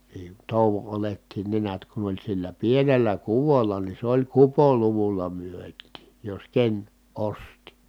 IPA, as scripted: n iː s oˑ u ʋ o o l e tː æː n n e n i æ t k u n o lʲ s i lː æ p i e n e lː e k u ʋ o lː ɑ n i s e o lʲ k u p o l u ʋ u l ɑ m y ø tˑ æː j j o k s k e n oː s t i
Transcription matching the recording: n iː t oˑ u ʋ o o l e tː iː n n e n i æ t k u n o lʲ s i lː æ p i e n e lː æ k u ʋ o lː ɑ n i s e o lʲ k u p o l u ʋ u lː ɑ m y ø tˑ iː j j o s k e n o s t i